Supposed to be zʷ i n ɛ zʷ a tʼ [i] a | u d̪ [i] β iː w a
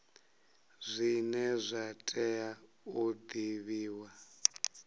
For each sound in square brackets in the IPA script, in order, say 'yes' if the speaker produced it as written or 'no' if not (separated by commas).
no, yes